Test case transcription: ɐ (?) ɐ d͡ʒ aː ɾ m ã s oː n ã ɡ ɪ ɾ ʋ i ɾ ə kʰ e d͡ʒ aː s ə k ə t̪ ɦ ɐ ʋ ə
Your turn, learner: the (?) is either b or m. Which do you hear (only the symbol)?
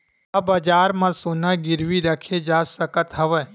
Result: b